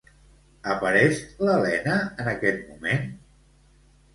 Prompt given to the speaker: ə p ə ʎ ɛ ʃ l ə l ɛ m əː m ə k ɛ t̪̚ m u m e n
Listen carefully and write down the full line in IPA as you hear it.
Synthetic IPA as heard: ə p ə ɾ ɛ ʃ l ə l ɛ n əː n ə k ɛ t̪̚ m u m e n